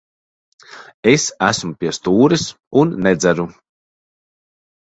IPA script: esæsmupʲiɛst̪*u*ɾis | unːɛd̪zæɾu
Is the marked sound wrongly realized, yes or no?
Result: yes